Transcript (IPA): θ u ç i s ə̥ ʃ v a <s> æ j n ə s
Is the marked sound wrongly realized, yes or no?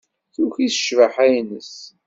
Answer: yes